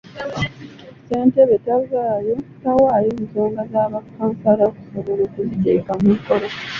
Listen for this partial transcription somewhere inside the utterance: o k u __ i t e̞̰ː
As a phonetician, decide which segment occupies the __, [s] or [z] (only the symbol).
z